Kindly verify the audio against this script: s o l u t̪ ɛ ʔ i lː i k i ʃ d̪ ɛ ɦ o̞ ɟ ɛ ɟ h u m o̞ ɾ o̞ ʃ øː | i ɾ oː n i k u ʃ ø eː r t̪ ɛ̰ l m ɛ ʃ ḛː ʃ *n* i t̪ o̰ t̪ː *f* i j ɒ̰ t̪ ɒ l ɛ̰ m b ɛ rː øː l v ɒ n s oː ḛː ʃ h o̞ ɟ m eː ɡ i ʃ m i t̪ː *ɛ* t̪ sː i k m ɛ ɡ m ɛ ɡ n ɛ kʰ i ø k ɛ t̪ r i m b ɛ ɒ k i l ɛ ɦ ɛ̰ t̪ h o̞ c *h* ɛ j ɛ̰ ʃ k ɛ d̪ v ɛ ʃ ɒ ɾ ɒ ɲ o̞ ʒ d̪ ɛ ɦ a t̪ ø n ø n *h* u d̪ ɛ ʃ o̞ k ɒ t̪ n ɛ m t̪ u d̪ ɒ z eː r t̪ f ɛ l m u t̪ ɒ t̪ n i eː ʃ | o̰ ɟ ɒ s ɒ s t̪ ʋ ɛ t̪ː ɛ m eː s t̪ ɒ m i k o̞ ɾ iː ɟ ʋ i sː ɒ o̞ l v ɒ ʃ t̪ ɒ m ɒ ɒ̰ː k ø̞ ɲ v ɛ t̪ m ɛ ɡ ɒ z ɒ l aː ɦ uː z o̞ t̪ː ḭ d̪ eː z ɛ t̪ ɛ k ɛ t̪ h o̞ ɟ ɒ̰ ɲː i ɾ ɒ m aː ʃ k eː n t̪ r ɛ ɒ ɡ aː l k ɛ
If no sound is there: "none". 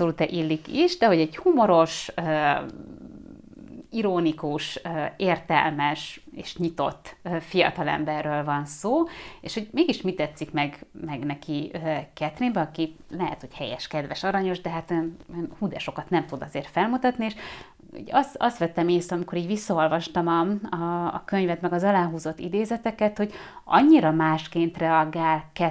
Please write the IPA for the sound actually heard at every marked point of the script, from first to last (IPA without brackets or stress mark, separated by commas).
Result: ɲ, f, ɛ, h, h